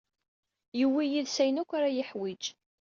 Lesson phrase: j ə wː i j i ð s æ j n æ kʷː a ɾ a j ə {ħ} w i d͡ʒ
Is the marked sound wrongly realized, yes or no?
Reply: no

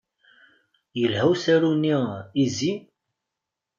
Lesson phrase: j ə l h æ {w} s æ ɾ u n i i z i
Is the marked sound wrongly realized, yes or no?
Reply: no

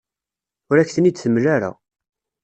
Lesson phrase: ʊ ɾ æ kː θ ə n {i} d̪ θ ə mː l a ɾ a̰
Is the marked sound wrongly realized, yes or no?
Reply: no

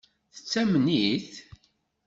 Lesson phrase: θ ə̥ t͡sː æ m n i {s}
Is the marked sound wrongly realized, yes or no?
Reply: yes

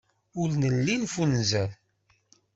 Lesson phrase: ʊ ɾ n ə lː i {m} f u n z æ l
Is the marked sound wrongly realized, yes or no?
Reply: yes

